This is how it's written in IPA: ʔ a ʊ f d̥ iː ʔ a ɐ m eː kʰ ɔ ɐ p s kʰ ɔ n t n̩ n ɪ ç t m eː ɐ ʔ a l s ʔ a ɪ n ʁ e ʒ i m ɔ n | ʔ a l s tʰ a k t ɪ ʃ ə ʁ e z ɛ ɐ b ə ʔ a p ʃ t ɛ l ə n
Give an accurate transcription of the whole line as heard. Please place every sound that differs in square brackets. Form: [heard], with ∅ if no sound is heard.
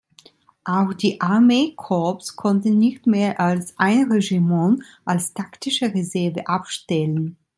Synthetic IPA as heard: ʔ a ʊ [x] d̥ iː ʔ a ɐ m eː kʰ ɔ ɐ p s kʰ ɔ n t n̩ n ɪ ç t m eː ɐ ʔ a l s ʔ a ɪ n ʁ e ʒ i m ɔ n | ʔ a l s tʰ a k t ɪ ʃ ə ʁ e z ɛ ɐ [v] ə ʔ a p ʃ t ɛ l ə n